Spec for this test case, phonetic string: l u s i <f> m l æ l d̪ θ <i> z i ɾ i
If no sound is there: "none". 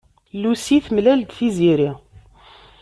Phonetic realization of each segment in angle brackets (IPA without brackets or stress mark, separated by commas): θ, i